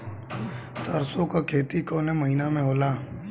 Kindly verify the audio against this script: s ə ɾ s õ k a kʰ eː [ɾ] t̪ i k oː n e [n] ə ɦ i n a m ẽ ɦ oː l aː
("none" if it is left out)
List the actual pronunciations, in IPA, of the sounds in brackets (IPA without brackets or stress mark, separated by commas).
none, m